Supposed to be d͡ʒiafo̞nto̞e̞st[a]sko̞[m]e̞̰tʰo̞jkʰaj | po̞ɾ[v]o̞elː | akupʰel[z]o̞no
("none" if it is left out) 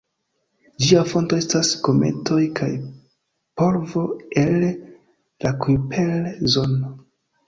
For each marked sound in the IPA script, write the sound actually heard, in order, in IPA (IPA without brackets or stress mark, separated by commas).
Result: a, m, v, z